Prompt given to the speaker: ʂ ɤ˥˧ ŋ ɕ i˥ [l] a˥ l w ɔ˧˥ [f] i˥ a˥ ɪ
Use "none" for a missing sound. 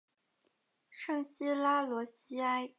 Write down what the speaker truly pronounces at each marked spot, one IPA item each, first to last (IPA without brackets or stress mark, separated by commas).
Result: l, ɕ